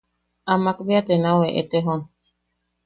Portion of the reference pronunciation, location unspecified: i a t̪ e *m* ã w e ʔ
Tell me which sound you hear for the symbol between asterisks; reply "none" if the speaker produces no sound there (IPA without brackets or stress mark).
n